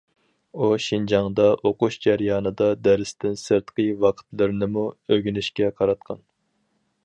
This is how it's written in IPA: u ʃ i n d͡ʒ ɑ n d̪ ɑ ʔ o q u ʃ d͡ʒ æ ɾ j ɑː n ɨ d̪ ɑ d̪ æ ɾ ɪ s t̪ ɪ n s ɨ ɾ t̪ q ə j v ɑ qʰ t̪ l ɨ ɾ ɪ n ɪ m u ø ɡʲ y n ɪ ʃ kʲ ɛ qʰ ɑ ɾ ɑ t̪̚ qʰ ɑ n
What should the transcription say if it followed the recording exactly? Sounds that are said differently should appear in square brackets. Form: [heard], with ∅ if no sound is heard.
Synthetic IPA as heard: u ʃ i n d͡ʒ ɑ [ŋ] d̪ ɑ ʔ o q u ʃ d͡ʒ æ ɾ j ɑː n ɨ d̪ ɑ d̪ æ ɾ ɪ s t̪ ɪ n s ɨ ɾ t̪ q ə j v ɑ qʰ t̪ l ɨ ɾ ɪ n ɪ m u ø ɡʲ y n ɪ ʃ kʲ ɛ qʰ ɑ ɾ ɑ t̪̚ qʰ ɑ n